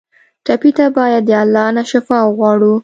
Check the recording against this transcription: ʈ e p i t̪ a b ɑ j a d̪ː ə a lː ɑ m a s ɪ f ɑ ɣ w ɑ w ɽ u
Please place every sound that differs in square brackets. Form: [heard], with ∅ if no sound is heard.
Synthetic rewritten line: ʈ [a] p i t̪ a b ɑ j a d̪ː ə a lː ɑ [n] a [ʃ] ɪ f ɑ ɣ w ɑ [∅] ɽ u